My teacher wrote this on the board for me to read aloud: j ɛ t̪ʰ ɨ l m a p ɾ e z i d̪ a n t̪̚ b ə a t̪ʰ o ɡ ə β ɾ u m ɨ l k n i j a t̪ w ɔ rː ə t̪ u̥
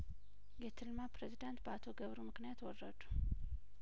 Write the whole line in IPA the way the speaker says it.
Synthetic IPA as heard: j ɛ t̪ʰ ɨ l m a p ɾ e z i d̪ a n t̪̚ b ə a t̪ʰ o ɡ ə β ɾ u m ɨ k n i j a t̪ w ɔ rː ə d̪ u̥